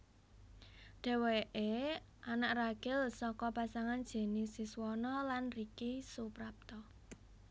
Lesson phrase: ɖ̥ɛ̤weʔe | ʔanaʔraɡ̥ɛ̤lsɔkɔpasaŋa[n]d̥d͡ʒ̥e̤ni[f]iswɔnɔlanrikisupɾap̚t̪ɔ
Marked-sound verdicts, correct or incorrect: correct, incorrect: s

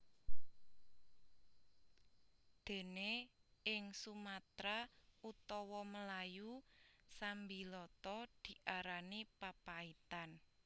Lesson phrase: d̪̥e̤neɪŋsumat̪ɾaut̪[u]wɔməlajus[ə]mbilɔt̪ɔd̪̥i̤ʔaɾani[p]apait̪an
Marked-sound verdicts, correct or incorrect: incorrect: ɔ, incorrect: a, correct

